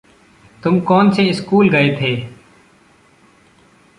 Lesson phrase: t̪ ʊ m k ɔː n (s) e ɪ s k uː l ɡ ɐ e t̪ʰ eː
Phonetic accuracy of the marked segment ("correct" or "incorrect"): correct